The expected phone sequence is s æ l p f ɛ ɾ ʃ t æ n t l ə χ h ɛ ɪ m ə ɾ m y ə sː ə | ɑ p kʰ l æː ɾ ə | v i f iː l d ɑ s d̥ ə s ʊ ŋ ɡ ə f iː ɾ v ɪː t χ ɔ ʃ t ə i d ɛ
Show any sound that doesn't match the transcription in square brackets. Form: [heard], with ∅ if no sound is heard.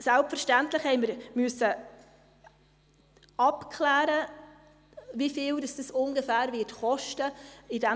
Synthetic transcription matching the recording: s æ l p f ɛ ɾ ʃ t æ n t l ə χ h ɛ ɪ m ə ɾ m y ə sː ə | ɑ p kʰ l æː ɾ ə | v i f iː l d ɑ s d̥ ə s ʊ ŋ ɡ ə f [æː] ɾ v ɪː t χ ɔ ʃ t ə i d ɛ